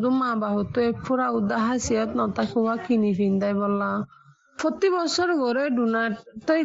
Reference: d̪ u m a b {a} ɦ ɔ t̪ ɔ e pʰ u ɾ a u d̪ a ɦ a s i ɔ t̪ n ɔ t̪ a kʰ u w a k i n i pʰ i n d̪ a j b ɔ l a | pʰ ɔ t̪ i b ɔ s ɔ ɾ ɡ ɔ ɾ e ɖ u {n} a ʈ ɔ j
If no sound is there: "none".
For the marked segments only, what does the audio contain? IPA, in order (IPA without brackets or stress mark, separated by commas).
a, n